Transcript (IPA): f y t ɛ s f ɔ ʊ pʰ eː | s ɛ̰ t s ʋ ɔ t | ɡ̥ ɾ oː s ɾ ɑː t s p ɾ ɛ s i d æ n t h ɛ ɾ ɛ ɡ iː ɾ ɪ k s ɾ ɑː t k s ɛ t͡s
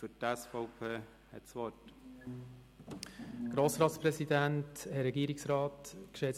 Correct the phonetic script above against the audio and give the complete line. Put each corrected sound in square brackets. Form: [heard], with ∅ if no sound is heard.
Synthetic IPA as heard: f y t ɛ s f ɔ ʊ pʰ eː | [h] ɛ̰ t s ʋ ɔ t | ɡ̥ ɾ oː s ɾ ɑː t s p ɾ ɛ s i d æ n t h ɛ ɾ ɛ ɡ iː ɾ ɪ k s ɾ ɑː t k [ʃ] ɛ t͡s